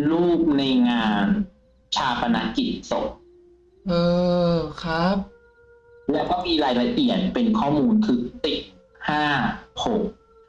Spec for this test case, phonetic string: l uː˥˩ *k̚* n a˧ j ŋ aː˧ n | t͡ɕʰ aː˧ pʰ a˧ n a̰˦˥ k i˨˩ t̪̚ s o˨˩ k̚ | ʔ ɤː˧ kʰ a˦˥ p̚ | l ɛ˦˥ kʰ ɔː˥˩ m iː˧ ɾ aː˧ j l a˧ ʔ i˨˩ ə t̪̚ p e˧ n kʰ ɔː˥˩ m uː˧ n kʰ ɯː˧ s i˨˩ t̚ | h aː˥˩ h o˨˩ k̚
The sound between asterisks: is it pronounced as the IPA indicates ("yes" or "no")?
no